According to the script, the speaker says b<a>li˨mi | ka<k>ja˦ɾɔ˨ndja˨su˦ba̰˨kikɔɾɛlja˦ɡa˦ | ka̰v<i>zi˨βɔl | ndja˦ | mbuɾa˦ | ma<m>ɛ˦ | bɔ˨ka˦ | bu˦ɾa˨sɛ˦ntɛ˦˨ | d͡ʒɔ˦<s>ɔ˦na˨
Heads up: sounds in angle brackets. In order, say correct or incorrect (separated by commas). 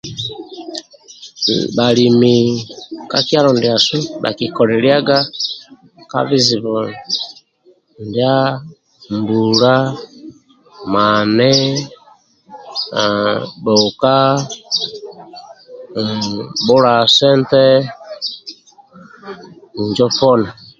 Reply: correct, correct, correct, incorrect, incorrect